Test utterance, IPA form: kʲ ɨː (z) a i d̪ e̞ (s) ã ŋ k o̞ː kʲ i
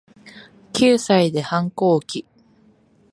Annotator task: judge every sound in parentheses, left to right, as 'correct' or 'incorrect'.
incorrect: s, incorrect: h

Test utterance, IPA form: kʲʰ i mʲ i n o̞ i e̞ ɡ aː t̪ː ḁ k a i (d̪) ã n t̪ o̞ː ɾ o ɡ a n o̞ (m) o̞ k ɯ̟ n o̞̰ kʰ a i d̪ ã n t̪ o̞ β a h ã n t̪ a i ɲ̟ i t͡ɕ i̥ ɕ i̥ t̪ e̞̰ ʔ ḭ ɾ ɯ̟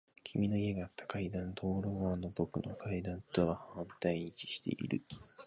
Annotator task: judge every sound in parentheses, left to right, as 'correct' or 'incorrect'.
correct, incorrect: b

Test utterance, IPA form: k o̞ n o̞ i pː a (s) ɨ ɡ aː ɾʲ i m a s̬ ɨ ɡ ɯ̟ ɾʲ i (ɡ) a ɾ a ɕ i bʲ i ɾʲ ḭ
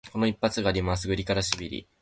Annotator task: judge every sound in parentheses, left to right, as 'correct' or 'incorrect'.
incorrect: t͡s, incorrect: k

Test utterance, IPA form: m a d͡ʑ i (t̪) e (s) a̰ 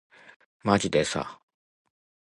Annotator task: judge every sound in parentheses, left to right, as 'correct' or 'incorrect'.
incorrect: d̪, correct

